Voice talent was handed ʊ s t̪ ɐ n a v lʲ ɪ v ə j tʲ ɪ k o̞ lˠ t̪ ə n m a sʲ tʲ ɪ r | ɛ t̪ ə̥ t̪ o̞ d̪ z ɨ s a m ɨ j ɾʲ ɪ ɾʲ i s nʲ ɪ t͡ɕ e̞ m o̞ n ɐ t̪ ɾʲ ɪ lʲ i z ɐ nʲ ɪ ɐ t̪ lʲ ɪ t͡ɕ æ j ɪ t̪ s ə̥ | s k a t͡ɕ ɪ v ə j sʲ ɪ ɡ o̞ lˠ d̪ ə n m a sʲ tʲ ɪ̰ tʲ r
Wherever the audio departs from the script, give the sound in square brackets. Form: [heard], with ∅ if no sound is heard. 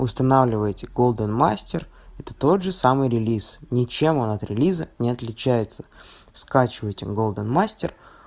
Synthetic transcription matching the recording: ʊ s t̪ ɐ n a v lʲ ɪ v ə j tʲ ɪ [ɡ] o̞ lˠ [d̪] ə n m a sʲ tʲ ɪ r | ɛ t̪ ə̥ t̪ o̞ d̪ [ʐ] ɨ s a m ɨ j ɾʲ ɪ [lʲ] i s nʲ ɪ t͡ɕ e̞ m o̞ n ɐ t̪ ɾʲ ɪ lʲ i z [ə] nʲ ɪ ɐ t̪ lʲ ɪ t͡ɕ æ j ɪ t̪ s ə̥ | s k a t͡ɕ ɪ v ə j [tʲ] ɪ ɡ o̞ lˠ d̪ ə n m a sʲ tʲ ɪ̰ [∅] r